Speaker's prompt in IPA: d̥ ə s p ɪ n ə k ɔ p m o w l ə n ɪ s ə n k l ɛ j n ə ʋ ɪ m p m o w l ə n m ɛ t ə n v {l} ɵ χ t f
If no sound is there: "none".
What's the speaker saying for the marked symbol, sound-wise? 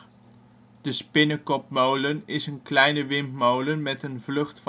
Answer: l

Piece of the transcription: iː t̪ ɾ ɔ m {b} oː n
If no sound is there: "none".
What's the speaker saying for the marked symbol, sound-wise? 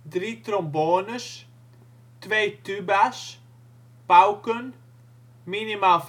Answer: b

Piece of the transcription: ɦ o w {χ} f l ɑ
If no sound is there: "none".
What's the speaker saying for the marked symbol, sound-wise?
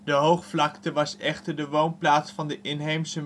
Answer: χ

